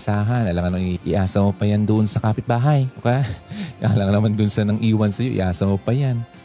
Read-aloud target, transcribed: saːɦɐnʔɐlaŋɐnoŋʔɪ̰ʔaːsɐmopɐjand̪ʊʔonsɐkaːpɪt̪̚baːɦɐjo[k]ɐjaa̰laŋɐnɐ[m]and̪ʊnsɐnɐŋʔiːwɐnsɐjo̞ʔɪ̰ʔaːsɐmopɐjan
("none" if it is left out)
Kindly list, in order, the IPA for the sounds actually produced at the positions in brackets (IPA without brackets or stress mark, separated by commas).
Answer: k, m